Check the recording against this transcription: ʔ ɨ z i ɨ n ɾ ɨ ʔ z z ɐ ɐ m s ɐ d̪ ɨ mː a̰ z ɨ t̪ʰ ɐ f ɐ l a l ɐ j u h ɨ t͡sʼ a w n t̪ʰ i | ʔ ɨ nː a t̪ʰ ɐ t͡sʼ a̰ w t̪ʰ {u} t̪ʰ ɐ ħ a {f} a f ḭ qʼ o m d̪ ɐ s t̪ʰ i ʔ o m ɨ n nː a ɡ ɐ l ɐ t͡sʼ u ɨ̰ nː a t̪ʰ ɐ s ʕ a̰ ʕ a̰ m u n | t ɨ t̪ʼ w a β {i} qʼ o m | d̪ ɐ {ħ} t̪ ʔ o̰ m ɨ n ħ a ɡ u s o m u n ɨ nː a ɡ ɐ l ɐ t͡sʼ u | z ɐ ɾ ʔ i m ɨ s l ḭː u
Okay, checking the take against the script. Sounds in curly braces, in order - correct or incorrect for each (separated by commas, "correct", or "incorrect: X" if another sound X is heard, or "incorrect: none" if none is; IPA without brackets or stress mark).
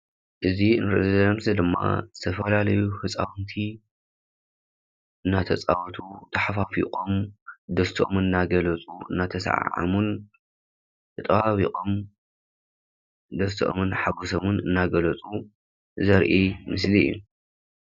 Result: correct, correct, correct, incorrect: s